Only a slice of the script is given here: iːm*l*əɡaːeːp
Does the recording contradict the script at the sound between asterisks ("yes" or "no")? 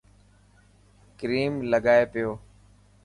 no